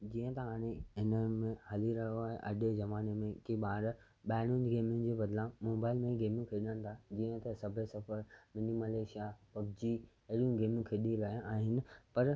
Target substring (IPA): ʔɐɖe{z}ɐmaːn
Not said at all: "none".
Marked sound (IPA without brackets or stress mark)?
z